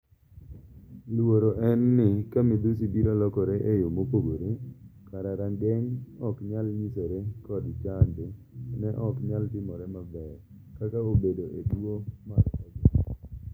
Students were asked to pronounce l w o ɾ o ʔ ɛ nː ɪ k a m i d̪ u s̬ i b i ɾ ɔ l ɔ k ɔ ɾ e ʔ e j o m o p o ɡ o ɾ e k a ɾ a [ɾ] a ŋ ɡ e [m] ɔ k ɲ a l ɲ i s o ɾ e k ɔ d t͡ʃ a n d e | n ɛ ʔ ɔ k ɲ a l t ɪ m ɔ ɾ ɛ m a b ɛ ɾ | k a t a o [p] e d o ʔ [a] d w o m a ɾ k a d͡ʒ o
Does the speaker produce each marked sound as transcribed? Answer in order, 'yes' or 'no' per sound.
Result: yes, no, no, no

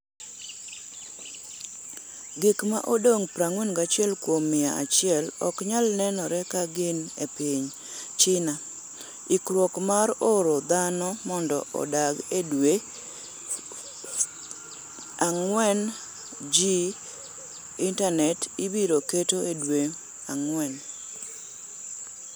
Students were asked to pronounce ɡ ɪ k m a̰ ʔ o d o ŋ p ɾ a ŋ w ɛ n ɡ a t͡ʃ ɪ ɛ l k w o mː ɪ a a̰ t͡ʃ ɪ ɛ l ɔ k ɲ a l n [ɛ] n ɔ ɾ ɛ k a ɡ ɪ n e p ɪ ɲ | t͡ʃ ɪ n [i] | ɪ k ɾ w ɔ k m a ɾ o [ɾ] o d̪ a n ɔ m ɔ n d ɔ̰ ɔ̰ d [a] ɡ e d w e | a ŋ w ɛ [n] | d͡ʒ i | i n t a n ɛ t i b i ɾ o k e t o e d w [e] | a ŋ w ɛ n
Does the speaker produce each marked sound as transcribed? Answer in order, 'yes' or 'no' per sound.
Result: yes, no, yes, yes, yes, yes

